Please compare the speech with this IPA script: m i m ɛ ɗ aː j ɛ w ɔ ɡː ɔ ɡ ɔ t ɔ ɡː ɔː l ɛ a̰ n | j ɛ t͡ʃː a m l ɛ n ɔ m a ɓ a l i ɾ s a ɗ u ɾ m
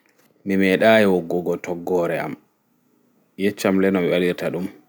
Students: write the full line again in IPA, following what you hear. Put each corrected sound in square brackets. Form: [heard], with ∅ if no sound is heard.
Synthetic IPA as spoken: m i m ɛ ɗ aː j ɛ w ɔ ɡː ɔ ɡ ɔ t ɔ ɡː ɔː [ɾ] ɛ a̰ [m] | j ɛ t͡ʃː a m l ɛ n ɔ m [i] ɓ a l i ɾ [t] a ɗ u [∅] m